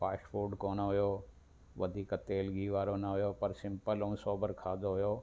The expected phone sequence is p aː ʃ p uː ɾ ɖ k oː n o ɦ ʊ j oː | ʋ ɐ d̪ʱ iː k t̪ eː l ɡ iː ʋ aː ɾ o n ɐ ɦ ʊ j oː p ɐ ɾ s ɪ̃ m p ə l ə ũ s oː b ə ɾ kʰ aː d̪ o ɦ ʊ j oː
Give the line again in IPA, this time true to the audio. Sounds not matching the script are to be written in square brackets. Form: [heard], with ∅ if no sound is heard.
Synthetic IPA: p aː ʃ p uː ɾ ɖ k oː n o ɦ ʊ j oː | ʋ ɐ d̪ʱ iː k t̪ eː l ɡ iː ʋ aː ɾ o n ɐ ɦ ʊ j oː p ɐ ɾ s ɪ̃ m p ə l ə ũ s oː b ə ɾ kʰ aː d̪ o ɦ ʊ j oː